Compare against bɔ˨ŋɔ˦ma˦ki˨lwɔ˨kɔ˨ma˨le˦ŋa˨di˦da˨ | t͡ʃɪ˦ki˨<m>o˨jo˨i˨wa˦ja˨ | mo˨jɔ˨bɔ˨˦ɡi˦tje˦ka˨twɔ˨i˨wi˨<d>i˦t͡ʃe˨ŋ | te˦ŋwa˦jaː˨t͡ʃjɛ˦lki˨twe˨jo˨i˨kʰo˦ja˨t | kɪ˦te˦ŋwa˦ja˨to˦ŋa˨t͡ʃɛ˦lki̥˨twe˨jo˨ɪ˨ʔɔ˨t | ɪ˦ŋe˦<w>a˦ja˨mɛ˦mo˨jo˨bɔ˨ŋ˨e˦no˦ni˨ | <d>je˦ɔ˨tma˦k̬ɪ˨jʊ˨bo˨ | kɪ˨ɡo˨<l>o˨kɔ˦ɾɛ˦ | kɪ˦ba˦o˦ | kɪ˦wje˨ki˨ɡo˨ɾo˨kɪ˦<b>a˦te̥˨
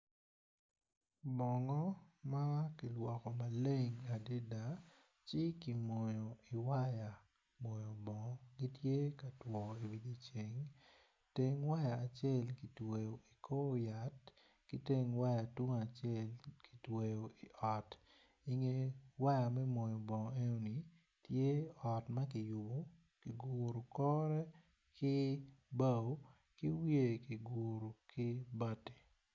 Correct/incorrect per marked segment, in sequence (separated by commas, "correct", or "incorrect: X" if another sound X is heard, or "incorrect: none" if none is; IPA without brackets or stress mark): correct, correct, correct, incorrect: t, incorrect: ɾ, correct